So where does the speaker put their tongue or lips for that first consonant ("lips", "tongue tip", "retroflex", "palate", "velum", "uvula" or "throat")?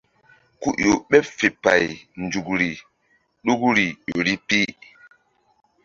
velum